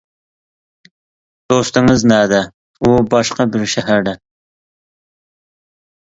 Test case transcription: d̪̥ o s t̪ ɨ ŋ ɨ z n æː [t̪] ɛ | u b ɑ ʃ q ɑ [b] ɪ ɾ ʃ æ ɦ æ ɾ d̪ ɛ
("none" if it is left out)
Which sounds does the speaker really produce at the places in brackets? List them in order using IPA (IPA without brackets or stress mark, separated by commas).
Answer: d̪, b